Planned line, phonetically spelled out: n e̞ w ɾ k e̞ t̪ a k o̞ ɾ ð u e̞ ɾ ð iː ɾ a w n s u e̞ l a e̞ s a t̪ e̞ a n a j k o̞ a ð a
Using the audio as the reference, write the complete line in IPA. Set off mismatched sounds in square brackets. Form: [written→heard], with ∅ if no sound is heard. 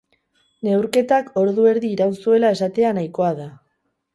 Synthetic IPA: n e̞ w ɾ k e̞ t̪ a k o̞ ɾ ð u e̞ ɾ ð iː ɾ a w n s u e̞ l a e̞ s a t̪ e̞ a n a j k o̞ a ð a